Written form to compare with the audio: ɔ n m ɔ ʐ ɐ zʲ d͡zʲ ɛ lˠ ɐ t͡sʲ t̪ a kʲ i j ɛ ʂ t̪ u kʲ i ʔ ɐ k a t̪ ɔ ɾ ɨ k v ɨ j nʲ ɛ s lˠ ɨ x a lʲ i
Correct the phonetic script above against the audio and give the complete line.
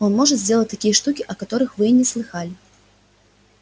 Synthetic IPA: ɔ n m ɔ ʐ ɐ zʲ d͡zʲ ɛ lˠ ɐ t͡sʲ t̪ a kʲ i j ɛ ʂ t̪ u kʲ i ʔ ɐ k a t̪ ɔ ɾ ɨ x v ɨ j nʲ ɛ s lˠ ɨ x a lʲ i